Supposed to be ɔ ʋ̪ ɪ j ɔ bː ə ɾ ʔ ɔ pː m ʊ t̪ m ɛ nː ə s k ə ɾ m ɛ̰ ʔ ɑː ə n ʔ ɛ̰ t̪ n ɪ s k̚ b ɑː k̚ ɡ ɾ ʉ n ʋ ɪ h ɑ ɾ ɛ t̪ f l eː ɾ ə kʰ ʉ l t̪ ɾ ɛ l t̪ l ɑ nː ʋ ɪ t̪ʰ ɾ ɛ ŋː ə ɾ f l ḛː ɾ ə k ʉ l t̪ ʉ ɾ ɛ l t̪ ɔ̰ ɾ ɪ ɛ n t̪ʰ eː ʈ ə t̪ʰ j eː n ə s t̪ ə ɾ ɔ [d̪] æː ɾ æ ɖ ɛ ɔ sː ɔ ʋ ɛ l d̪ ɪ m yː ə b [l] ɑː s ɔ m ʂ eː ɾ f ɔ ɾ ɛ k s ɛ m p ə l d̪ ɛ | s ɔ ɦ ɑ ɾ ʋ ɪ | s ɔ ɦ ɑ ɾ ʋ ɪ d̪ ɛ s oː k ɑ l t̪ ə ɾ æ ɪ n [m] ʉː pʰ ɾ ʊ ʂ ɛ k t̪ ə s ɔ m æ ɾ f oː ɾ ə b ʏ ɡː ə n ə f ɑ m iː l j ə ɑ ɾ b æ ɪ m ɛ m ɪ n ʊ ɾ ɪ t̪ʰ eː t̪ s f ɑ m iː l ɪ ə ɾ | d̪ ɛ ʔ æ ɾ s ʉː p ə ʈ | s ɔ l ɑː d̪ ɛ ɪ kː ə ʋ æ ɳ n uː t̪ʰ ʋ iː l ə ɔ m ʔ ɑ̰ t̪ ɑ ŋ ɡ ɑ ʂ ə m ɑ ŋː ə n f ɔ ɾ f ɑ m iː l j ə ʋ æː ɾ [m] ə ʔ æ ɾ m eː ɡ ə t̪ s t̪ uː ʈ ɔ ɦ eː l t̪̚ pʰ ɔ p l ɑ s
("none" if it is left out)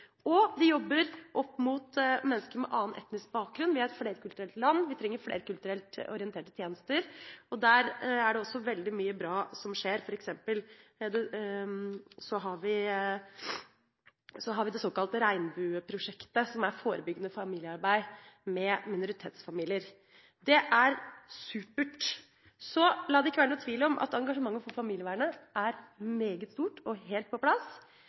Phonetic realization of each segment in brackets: d̪, ɾ, b, ɳ

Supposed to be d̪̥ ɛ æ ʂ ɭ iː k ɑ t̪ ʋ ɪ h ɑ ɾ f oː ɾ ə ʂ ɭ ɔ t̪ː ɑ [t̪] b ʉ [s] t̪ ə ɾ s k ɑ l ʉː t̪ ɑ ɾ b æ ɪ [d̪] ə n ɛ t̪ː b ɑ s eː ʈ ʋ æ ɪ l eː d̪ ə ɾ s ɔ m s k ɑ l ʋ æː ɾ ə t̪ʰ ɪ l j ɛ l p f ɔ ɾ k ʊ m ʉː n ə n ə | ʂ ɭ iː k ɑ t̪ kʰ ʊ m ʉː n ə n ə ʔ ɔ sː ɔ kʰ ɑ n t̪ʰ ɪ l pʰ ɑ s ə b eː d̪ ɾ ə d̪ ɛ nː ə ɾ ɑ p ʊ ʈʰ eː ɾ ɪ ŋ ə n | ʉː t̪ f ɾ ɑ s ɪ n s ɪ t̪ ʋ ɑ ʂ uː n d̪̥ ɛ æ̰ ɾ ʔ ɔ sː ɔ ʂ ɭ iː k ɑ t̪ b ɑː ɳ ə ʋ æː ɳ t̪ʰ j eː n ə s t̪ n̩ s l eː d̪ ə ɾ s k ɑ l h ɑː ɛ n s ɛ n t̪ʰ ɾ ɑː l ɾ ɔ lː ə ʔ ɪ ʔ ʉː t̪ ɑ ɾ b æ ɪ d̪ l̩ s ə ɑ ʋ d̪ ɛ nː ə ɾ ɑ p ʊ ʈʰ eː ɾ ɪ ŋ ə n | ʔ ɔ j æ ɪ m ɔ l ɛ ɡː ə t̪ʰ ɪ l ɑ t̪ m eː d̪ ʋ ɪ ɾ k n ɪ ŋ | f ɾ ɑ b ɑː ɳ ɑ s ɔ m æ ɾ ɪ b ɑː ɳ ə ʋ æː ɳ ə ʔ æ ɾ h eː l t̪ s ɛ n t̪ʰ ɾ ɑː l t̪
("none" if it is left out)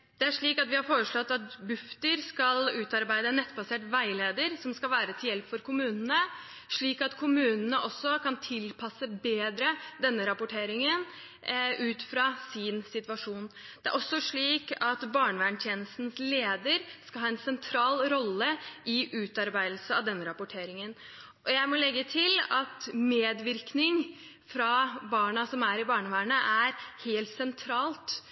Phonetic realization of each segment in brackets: t̪, f, d̪

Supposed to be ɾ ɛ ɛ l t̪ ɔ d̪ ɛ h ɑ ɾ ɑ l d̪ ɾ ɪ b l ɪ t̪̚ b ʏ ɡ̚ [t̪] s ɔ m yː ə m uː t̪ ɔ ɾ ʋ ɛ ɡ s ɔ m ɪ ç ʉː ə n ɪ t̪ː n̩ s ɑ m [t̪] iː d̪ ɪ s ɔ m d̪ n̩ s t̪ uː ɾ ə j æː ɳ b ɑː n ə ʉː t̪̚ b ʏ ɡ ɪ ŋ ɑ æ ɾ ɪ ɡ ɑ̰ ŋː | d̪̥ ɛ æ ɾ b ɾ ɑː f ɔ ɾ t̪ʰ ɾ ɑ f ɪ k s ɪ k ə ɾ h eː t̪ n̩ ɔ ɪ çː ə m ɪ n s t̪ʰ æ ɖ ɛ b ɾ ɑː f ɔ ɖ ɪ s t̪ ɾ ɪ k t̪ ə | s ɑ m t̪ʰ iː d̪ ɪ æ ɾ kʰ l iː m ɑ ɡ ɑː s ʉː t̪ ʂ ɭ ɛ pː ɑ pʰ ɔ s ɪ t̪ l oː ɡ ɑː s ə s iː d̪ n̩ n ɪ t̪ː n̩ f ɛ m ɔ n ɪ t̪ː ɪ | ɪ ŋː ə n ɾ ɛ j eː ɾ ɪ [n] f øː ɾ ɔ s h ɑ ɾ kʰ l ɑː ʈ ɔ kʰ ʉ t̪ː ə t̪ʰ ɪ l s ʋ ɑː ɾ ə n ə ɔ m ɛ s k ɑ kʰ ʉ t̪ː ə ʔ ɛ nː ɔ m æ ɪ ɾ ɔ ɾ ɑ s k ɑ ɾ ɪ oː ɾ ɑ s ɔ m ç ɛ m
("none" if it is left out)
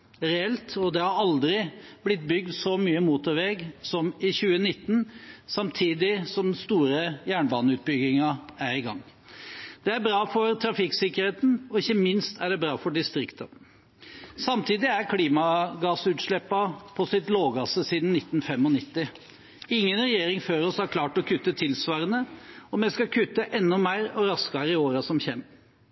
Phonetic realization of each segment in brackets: d̪, t̪ʰ, ŋ

